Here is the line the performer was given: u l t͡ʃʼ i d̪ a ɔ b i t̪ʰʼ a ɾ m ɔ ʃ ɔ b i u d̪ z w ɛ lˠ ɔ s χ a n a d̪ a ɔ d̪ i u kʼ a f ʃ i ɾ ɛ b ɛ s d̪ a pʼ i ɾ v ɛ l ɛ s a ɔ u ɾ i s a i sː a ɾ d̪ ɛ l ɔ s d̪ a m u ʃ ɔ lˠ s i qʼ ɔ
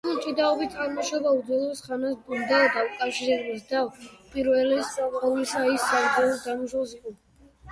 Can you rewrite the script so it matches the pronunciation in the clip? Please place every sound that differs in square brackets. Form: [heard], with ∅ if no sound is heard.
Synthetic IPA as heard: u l t͡ʃʼ i d̪ a ɔ b i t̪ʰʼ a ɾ m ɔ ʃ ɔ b [a] u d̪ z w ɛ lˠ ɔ s χ a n a d̪ a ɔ d̪ [a] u kʼ a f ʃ i ɾ ɛ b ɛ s d̪ a pʼ i ɾ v ɛ l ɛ s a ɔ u [l] i s a i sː a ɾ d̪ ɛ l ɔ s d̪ a m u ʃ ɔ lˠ s i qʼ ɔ